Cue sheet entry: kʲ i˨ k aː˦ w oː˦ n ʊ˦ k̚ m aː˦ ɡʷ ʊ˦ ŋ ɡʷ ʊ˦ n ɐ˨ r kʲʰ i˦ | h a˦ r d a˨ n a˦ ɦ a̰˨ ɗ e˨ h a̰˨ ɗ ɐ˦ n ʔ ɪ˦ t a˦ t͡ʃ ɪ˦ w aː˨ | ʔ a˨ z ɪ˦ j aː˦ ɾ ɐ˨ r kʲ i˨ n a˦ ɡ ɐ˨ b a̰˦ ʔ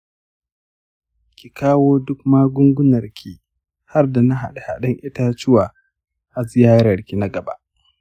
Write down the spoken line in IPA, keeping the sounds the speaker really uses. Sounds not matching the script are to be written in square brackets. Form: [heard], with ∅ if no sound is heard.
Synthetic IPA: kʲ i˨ k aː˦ w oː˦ [d] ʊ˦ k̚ m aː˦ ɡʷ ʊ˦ ŋ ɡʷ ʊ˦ n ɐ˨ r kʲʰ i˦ | h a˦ r d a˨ n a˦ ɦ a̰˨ ɗ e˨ h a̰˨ ɗ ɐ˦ [ŋ] ʔ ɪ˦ t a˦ t͡ʃ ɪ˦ w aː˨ | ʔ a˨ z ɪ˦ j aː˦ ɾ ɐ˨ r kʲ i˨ n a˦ ɡ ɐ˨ b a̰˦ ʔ

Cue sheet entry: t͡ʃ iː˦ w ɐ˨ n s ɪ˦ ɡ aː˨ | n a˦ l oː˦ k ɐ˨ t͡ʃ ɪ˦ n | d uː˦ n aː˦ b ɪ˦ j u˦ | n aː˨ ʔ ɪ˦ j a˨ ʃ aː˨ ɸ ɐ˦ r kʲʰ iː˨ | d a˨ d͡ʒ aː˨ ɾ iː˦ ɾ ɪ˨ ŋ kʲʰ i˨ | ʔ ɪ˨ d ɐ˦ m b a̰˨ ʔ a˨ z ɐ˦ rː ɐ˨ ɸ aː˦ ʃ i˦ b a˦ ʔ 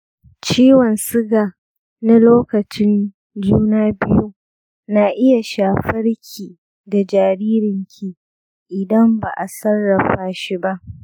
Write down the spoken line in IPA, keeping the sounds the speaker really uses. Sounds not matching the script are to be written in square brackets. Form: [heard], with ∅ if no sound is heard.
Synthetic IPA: t͡ʃ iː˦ w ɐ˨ n s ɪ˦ ɡ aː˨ | n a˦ l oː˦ k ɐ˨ t͡ʃ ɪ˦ n | [d͡ʒ] uː˦ n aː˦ b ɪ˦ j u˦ | n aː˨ ʔ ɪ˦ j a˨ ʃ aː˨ ɸ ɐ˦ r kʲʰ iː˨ | d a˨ d͡ʒ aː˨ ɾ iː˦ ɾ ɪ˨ ŋ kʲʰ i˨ | ʔ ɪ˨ d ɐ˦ m b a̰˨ ʔ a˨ [s] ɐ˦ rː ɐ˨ ɸ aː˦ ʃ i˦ b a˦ ʔ

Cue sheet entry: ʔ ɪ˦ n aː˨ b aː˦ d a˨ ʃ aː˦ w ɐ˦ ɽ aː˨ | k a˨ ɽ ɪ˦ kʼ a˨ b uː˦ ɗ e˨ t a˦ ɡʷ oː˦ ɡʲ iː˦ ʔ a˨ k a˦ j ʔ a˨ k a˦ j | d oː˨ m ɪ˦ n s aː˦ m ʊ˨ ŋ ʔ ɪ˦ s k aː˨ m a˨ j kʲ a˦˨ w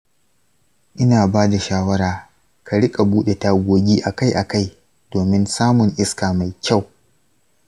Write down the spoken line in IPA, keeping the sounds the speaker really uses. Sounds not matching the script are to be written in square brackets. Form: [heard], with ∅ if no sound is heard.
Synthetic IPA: ʔ ɪ˦ n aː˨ b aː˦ d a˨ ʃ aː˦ w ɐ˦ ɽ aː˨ | k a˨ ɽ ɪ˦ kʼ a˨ b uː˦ ɗ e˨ t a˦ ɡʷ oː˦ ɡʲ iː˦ ʔ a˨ k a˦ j ʔ a˨ k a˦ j | d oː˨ m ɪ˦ n s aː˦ m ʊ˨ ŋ ʔ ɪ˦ s k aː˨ m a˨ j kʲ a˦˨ w

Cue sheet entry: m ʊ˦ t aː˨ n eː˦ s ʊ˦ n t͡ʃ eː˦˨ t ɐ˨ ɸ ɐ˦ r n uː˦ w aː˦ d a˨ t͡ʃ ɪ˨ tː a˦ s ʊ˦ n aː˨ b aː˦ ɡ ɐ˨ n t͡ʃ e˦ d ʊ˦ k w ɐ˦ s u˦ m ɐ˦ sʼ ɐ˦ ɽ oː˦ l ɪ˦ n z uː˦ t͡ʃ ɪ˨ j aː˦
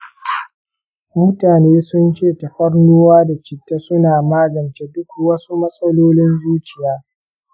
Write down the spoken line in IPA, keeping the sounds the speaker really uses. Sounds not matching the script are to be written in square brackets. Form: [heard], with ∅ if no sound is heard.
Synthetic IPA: m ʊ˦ t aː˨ n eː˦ s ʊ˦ n t͡ʃ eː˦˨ t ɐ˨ ɸ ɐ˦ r n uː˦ w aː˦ d a˨ t͡ʃ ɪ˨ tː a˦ s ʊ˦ n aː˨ [m] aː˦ ɡ ɐ˨ n t͡ʃ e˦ d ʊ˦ k w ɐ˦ s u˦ m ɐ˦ sʼ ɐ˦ [l] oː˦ l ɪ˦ n z uː˦ t͡ʃ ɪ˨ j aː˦

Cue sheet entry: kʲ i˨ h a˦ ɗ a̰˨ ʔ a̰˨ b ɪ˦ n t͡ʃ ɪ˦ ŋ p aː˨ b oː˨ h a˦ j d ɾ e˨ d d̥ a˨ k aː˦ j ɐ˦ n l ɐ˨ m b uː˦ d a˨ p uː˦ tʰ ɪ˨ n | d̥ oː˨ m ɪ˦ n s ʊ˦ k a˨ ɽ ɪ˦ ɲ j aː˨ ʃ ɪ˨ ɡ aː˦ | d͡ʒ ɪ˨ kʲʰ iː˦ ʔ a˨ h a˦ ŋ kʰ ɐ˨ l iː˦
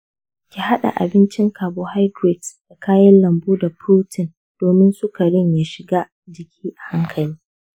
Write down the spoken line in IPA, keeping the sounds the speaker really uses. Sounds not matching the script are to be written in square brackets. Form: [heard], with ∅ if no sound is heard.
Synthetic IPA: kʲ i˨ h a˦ ɗ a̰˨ ʔ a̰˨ b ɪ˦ n t͡ʃ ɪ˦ ŋ [k] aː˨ b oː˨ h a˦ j d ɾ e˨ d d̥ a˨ k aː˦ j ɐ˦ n l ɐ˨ m b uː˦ d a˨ p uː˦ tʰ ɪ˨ n | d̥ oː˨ m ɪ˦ n s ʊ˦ k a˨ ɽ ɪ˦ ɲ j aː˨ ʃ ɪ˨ ɡ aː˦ | d͡ʒ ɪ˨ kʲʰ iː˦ ʔ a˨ h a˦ ŋ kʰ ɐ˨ l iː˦

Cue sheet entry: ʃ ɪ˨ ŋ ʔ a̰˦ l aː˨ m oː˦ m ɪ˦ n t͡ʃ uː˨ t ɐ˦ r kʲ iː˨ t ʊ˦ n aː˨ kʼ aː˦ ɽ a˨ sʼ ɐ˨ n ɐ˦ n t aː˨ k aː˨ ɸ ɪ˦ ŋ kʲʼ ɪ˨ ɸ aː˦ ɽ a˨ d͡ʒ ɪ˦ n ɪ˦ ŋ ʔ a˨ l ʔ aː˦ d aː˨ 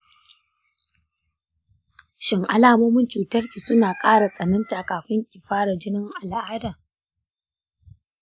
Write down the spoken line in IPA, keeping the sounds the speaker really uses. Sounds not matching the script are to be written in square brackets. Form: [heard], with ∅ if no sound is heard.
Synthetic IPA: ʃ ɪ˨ ŋ ʔ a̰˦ l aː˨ m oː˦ m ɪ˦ n t͡ʃ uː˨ t ɐ˦ r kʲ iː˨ [s] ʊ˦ n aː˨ kʼ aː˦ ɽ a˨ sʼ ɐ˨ n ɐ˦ n t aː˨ k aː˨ ɸ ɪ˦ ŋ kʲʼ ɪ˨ ɸ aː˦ ɽ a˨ d͡ʒ ɪ˦ n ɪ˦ ŋ ʔ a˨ l ʔ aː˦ d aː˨

